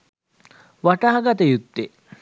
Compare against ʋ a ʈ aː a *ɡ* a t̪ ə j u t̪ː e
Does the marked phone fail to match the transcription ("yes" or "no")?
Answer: no